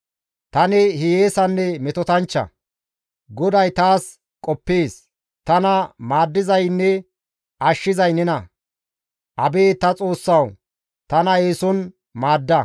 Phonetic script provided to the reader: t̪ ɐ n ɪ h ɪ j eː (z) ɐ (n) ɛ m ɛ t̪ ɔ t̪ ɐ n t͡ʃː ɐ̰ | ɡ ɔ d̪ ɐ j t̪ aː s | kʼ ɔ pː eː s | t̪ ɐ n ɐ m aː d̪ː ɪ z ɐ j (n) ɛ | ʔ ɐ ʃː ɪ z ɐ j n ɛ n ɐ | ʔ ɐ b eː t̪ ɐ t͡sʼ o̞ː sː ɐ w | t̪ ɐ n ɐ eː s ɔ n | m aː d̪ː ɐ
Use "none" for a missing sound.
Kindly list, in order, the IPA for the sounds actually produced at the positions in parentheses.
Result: s, nː, nː

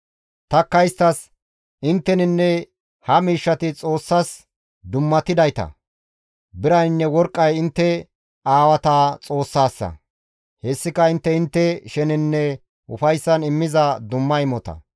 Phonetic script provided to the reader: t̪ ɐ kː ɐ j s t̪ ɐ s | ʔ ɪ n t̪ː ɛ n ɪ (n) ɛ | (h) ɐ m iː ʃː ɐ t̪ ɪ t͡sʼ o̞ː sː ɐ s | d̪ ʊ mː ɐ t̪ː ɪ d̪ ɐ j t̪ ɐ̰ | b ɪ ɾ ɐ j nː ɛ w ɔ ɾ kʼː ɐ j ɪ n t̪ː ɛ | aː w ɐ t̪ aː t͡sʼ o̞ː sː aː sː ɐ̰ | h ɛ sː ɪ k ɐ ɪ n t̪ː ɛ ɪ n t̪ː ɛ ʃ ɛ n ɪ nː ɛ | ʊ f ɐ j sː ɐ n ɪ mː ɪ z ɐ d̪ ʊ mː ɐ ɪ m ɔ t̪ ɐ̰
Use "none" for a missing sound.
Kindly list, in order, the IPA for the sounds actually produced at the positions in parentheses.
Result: nː, h

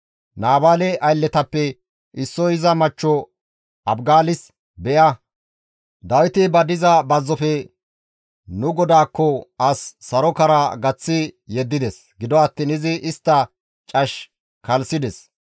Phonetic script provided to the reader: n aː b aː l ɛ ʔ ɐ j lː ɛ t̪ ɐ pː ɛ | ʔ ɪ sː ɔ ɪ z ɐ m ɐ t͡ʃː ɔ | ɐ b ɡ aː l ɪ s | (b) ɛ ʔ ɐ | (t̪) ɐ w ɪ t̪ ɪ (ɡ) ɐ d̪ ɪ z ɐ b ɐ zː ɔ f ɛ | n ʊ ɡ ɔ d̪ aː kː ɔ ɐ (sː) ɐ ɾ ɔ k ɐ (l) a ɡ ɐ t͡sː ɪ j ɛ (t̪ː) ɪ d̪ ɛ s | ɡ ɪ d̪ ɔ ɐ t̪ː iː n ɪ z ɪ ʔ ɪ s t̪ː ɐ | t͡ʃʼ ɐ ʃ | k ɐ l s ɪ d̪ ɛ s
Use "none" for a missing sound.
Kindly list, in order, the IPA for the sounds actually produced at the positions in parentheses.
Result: b, d̪, b, sː, ɾ, d̪ː

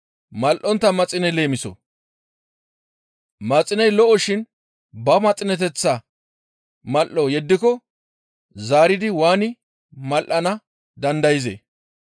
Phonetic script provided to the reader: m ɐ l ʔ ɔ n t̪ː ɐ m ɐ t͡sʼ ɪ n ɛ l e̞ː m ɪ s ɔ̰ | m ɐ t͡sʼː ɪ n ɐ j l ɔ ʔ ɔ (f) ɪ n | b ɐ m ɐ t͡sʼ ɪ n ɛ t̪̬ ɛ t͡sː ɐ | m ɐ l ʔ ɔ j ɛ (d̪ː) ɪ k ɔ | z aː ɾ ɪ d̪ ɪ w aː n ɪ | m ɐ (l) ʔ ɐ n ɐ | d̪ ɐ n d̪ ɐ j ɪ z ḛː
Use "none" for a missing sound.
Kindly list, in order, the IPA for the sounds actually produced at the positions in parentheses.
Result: ʃ, d̪ː, l

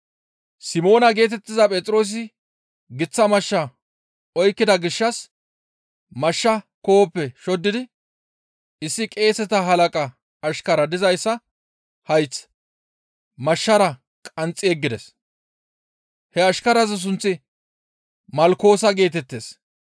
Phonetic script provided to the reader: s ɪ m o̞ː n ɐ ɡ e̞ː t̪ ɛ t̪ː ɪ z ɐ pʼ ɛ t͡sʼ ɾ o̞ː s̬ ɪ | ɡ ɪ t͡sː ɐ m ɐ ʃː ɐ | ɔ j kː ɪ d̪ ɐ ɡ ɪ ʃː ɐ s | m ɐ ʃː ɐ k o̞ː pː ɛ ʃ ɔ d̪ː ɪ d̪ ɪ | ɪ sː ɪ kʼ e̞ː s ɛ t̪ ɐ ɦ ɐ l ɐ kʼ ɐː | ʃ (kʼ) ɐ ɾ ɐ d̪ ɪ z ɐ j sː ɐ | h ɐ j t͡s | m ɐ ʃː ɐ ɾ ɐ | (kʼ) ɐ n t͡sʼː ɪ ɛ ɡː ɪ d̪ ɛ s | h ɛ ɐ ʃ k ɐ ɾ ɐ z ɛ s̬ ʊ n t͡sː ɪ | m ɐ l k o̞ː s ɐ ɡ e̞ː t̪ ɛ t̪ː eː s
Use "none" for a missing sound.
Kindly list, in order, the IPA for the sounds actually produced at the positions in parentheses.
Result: k, kʼ

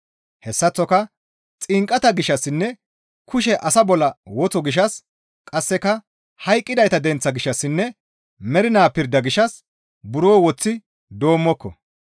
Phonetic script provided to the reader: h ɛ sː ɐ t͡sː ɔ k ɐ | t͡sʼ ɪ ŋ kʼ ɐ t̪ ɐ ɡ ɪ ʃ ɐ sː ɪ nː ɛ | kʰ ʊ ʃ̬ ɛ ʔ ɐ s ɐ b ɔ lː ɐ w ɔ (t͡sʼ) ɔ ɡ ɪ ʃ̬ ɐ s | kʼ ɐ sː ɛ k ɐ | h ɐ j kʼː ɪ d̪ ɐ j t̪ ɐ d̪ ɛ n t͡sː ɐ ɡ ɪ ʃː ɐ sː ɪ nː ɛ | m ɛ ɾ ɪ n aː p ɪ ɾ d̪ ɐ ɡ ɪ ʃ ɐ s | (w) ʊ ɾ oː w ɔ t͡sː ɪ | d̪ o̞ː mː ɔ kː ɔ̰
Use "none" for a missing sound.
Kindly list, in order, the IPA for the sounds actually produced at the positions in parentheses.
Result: t͡s, b

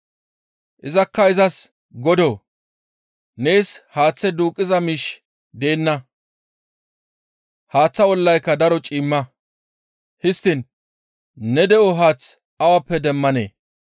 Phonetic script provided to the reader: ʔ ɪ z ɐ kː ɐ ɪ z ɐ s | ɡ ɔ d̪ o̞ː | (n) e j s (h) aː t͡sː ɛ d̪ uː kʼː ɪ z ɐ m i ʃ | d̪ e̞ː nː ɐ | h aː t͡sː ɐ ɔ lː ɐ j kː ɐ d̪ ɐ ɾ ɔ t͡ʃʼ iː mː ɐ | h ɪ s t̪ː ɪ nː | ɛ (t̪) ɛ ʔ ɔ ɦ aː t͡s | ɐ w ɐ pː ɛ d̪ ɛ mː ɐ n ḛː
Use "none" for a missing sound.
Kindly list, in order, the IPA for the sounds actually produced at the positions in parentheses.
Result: n, h, d̪

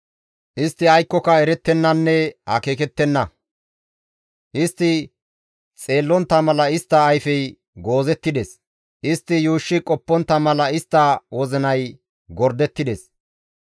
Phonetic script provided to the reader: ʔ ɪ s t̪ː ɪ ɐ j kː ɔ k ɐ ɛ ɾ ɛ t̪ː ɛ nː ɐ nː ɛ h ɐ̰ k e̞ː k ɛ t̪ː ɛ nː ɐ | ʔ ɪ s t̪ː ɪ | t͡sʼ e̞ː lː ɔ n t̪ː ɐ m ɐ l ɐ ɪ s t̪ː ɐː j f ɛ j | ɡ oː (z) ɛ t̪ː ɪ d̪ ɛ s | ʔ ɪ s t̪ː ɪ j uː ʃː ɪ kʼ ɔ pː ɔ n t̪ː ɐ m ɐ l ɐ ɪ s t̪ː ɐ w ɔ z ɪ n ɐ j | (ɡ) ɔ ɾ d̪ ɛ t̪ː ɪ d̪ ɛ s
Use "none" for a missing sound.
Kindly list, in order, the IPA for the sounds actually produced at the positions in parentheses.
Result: z, ɡ

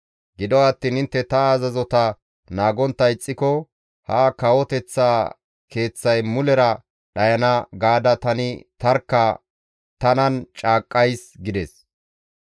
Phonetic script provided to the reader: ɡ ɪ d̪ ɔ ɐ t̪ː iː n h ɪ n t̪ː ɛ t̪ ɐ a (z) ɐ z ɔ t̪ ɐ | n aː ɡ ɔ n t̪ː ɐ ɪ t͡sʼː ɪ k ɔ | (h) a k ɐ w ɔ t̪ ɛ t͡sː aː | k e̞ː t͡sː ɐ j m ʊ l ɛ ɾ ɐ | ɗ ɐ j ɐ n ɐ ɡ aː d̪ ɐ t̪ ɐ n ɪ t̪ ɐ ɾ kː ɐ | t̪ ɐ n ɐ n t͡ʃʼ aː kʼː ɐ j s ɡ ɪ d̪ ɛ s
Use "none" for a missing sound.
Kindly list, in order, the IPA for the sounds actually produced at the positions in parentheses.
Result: z, h

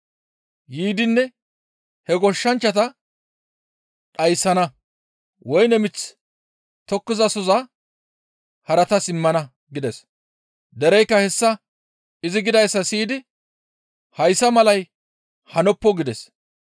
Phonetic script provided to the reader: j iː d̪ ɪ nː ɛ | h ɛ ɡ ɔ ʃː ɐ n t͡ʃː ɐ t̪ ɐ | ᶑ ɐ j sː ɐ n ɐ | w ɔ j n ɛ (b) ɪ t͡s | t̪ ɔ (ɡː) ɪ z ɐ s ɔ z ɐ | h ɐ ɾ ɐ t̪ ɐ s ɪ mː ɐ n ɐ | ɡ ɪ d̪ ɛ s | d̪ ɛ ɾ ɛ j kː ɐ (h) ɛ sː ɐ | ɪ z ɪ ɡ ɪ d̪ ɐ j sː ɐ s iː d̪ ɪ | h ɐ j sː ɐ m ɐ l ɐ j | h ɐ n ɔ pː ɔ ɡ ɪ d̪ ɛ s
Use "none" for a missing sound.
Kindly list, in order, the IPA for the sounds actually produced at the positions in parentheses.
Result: m, kː, h

